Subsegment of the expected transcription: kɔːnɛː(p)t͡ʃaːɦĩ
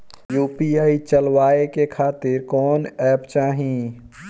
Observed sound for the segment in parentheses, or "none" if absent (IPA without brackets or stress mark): p